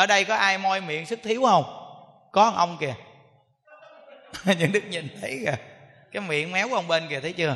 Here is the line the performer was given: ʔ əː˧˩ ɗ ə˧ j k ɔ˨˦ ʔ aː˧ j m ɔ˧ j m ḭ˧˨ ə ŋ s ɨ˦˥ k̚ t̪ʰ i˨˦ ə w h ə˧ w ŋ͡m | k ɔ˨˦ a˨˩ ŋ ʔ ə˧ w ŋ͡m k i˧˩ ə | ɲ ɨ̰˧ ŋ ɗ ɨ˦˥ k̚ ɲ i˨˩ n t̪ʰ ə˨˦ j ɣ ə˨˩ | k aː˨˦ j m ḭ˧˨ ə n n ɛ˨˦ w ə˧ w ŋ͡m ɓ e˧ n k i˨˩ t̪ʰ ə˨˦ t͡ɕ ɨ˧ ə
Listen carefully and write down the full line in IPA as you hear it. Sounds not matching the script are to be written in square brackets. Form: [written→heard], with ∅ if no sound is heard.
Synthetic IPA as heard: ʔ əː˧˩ ɗ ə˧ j k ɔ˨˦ ʔ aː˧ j m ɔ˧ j m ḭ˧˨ ə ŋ s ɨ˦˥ k̚ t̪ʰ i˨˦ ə w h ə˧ w ŋ͡m | k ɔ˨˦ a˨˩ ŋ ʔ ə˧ w ŋ͡m k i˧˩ ə | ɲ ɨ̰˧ ŋ ɗ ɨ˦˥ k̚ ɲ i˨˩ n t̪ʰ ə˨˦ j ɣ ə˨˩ | k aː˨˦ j m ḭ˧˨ ə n [n→m] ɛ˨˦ w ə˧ w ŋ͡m ɓ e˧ n k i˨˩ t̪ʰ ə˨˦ t͡ɕ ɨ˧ ə